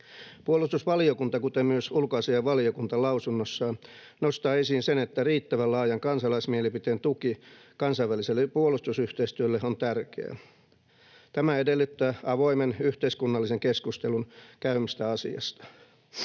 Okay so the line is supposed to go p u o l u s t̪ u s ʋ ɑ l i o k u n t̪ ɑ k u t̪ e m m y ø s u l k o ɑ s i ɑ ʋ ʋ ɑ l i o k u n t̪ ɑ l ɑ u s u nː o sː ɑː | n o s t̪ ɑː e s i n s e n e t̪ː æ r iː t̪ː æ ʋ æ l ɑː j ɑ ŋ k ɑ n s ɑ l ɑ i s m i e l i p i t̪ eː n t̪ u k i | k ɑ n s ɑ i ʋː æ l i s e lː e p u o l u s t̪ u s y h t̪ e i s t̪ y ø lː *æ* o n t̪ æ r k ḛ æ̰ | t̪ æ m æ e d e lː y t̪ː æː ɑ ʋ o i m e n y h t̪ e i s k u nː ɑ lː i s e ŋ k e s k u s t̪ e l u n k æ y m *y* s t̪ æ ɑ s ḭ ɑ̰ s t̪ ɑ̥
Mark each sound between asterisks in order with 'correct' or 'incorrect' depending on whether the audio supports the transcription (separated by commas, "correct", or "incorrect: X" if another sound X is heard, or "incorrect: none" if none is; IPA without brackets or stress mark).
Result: incorrect: e, incorrect: i